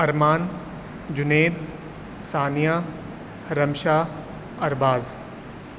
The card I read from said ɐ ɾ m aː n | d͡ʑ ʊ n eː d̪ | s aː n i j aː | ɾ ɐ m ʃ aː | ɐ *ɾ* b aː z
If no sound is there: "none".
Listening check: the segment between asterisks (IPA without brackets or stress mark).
ɾ